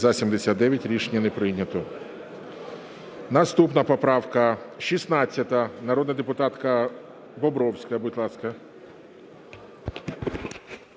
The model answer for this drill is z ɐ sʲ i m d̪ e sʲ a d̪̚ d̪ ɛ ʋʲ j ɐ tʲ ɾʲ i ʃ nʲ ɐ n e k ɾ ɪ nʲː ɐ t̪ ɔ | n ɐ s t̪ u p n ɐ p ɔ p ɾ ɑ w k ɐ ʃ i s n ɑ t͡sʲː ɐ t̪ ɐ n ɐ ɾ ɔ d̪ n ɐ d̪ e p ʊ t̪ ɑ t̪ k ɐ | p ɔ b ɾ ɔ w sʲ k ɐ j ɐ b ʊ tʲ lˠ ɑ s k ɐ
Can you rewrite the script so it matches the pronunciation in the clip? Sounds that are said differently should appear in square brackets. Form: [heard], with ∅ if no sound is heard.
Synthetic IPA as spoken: z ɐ sʲ i m d̪ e sʲ a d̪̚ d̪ ɛ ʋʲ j ɐ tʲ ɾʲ i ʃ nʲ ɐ n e [p] ɾ ɪ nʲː ɐ t̪ ɔ | n ɐ s t̪ u p n ɐ p ɔ p ɾ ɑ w k ɐ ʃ i s n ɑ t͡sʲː ɐ t̪ ɐ n ɐ ɾ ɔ d̪ n ɐ d̪ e p ʊ t̪ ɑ t̪ k ɐ | [b] ɔ b ɾ ɔ w sʲ k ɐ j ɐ b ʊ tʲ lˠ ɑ s k ɐ